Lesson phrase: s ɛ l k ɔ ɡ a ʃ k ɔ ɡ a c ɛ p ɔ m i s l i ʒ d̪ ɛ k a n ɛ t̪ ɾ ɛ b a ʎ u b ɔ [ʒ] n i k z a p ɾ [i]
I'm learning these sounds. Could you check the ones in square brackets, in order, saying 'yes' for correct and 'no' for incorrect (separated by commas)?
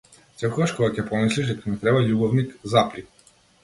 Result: no, yes